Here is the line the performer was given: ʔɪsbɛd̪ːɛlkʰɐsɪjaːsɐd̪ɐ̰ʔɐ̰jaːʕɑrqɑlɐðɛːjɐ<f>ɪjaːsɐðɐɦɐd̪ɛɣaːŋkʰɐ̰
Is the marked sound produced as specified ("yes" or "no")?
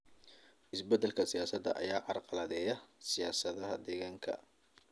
no